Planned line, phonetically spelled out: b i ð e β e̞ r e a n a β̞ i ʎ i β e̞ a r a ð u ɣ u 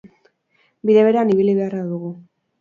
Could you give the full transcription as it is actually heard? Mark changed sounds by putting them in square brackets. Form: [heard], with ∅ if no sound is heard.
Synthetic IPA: b i ð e β e̞ [ɾ] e a n [i] β̞ i [l] i β e̞ a r a ð u ɣ u